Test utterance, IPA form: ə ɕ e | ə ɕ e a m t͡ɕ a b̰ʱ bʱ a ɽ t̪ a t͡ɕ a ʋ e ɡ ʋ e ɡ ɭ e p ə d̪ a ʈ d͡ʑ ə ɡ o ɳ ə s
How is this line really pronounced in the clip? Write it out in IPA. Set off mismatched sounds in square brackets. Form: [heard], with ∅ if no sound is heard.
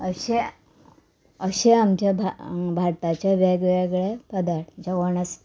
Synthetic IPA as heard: ə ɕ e | ə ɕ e a m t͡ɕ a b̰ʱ bʱ a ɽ t̪ a t͡ɕ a ʋ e ɡ ʋ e ɡ ɭ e p ə d̪ a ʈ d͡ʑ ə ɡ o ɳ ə s